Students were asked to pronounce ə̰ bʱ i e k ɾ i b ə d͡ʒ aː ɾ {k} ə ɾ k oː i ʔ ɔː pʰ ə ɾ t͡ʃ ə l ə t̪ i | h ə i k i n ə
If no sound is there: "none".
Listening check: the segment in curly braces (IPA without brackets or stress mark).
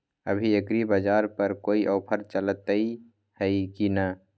p